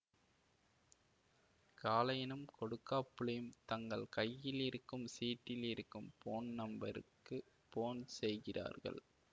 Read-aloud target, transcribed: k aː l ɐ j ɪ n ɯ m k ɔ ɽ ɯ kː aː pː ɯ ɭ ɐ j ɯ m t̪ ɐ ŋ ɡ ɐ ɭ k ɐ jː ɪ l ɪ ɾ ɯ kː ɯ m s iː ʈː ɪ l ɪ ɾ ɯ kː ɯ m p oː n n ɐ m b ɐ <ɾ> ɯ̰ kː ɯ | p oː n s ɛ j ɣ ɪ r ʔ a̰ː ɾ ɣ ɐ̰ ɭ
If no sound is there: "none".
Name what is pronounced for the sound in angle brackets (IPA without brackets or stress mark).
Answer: ɾ